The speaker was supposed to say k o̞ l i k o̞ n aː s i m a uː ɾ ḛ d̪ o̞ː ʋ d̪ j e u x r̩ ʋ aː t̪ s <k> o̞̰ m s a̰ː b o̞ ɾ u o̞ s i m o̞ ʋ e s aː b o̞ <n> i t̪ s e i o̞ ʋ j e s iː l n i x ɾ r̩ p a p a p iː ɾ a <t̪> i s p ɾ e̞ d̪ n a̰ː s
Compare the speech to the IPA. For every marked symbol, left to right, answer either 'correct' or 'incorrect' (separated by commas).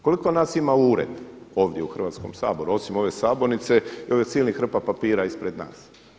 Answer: correct, correct, incorrect